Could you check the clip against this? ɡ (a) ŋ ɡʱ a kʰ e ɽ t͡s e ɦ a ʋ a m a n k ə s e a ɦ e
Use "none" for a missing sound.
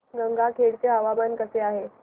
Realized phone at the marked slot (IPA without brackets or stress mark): ə